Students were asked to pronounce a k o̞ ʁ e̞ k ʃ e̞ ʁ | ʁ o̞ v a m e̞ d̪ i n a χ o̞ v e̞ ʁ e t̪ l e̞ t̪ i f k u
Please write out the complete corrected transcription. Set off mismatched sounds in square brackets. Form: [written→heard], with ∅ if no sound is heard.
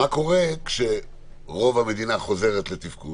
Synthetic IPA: a k o̞ ʁ e̞ k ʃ e̞ [ʁ→∅] | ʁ o̞ v a m e̞ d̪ i n a χ o̞ [v→z] e̞ ʁ e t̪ l e̞ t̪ i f k u

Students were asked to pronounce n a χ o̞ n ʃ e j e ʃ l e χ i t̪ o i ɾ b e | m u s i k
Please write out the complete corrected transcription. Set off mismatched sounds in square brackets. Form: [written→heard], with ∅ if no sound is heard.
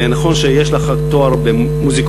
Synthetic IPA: n a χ o̞ n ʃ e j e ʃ l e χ [i→a] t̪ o [i→a] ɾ b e | m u [s→z] i k

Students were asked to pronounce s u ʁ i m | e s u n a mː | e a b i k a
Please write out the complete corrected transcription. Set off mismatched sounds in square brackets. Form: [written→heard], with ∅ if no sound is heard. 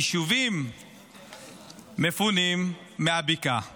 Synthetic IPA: [s→ʃ] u [ʁ→v] i m | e [s→f] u n [a→i] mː | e a b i k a

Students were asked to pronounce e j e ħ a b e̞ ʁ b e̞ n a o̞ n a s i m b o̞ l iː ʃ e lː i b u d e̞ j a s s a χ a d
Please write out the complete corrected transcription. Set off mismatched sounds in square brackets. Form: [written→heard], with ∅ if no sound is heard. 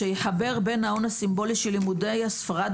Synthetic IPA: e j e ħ a b e̞ ʁ b e̞ n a o̞ n a s i m b o̞ l [iː→i] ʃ e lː i [b→m] u d e̞ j a s [s→f] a [χ→ʁ] a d

